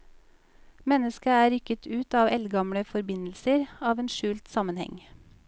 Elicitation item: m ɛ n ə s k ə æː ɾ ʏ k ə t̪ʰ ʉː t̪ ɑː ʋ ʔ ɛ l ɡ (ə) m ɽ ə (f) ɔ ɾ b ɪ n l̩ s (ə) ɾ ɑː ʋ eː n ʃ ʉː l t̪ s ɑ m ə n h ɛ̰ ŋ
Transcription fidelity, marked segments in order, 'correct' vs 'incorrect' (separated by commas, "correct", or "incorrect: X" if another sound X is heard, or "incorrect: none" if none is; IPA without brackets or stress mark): incorrect: ɑ, correct, correct